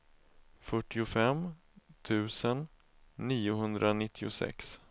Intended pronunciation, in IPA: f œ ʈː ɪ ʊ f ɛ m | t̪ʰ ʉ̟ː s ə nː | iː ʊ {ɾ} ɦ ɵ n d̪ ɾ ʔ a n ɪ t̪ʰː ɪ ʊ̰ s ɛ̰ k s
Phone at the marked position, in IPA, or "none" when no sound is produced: none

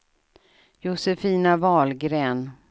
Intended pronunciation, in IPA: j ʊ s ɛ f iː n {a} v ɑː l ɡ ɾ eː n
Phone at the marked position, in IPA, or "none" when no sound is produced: a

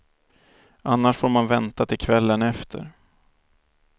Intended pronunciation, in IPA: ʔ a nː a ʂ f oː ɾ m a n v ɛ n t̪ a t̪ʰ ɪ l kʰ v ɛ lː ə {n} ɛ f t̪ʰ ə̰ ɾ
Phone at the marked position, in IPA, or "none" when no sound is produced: n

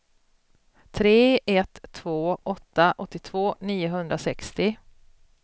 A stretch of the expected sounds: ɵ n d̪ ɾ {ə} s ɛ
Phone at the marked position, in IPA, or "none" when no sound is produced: a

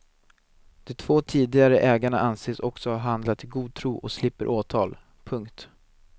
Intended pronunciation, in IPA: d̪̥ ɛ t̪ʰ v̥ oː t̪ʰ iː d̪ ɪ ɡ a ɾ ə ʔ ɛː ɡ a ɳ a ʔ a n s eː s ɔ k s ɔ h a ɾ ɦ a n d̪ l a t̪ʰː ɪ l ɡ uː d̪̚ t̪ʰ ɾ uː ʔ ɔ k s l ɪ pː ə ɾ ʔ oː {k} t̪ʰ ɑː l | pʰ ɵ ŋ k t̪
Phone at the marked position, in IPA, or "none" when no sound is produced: none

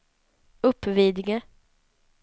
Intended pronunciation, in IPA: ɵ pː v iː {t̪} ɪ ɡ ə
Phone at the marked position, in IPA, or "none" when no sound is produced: d̪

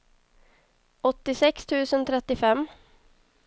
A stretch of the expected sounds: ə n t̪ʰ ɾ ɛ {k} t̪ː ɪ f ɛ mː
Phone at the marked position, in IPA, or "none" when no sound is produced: none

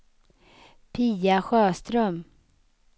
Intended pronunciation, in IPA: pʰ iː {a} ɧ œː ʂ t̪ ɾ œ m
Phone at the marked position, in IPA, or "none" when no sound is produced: a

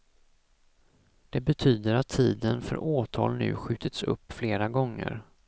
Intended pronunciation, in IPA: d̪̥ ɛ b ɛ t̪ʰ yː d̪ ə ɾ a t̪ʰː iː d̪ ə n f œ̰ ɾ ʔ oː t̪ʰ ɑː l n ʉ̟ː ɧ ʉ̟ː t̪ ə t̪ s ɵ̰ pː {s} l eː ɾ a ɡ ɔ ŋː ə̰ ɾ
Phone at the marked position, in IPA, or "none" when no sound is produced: f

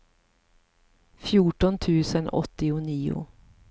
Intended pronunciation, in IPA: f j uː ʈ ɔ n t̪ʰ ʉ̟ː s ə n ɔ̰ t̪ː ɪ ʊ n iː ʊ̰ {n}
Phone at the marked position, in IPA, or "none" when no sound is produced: none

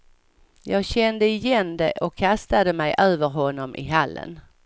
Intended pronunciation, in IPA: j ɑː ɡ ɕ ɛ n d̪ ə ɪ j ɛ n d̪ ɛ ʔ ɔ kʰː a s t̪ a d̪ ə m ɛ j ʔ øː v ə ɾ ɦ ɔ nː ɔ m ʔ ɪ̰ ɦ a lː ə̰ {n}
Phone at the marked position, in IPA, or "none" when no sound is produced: n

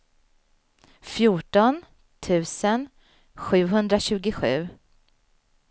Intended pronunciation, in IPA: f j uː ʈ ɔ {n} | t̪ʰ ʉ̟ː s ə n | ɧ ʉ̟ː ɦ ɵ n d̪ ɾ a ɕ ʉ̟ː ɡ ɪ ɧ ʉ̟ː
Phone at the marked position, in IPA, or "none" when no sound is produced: n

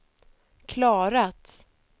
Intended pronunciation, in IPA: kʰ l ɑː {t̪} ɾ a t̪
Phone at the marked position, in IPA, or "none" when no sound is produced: none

